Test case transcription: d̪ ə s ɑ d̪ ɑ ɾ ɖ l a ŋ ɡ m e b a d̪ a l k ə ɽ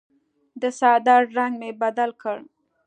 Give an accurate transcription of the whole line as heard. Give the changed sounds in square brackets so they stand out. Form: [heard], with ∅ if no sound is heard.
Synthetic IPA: d̪ ə s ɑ d̪ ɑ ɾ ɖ [ɾ] a ŋ ɡ m e b a d̪ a l k ə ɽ